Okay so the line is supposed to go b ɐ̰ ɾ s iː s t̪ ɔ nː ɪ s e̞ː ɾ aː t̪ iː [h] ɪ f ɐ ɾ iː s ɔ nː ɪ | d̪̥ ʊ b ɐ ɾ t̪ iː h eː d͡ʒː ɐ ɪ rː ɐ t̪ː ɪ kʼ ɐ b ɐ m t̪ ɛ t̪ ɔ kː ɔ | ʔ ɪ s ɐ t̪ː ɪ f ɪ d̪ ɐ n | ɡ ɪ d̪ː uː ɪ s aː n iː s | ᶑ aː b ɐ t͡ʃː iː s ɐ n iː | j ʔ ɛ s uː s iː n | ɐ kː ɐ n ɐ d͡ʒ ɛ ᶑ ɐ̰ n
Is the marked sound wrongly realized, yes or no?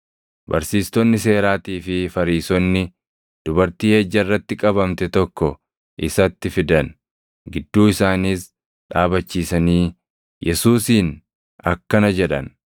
yes